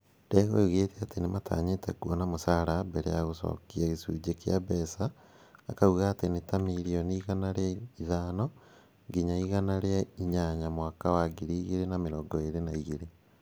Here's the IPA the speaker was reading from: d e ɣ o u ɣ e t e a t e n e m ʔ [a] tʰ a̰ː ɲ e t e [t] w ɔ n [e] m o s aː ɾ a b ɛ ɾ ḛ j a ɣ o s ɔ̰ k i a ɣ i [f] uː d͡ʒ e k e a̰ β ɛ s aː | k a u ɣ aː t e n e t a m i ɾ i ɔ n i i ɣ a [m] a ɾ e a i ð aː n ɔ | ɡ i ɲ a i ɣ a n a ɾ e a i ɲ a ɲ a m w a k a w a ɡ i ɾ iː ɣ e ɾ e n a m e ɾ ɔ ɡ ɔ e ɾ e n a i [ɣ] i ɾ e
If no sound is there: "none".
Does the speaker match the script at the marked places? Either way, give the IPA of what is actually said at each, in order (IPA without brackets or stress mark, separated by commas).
a, k, a, s, n, ɣ